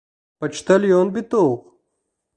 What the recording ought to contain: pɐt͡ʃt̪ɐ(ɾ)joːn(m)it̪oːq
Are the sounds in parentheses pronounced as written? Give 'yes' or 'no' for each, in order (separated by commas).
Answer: no, no